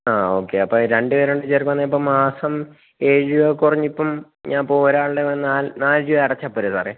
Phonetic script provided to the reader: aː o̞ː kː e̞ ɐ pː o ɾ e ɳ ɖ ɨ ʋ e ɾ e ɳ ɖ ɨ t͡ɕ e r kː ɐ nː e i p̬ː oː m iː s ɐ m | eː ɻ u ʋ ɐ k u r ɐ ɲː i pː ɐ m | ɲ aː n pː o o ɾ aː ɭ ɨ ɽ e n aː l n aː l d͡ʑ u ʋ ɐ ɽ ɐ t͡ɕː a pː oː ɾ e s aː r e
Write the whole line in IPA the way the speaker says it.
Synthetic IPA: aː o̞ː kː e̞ ɐ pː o ɾ e ɳ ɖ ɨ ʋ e ɾ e ɳ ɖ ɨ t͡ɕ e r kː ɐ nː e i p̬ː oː m aː s ɐ m | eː ɻ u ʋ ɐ k u r ɐ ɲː i pː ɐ m | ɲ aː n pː o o ɾ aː ɭ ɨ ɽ e n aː l n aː l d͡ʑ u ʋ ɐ ɽ ɐ t͡ɕː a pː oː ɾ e s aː r e